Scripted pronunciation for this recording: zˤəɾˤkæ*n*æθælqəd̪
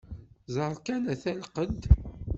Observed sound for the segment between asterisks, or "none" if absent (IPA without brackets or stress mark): n